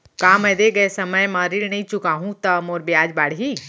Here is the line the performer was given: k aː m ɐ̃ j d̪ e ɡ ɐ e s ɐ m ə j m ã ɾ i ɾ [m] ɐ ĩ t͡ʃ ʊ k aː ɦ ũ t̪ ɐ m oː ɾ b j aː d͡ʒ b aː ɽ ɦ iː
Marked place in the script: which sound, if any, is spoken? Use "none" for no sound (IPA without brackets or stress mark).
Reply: n